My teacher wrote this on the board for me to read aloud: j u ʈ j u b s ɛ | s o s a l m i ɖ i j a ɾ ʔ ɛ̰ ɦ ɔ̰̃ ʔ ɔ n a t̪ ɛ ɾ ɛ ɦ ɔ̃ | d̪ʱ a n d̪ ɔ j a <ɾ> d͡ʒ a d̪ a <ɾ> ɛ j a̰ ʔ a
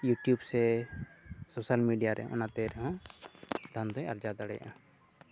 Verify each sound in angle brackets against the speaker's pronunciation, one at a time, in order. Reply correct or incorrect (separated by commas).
correct, incorrect